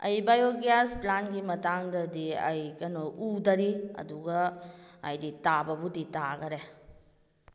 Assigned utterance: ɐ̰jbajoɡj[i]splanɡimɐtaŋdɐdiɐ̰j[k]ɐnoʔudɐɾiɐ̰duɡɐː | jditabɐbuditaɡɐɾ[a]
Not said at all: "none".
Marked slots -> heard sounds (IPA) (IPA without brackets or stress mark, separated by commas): a, k, e